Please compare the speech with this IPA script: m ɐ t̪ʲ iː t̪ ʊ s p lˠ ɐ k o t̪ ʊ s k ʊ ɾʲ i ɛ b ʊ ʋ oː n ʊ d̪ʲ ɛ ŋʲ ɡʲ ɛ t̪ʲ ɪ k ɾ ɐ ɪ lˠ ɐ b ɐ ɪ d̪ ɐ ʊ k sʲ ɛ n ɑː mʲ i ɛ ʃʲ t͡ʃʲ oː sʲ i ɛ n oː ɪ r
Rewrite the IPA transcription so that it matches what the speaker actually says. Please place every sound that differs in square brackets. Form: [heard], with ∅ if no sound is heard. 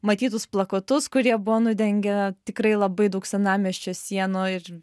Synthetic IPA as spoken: m ɐ t̪ʲ iː t̪ ʊ s p lˠ ɐ k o t̪ ʊ s k ʊ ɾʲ i ɛ b ʊ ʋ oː n ʊ d̪ʲ ɛ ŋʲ ɡʲ ɛ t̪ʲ ɪ k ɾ ɐ ɪ lˠ ɐ b ɐ ɪ d̪ ɐ ʊ k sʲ ɛ n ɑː mʲ i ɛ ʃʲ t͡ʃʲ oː sʲ i ɛ n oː ɪ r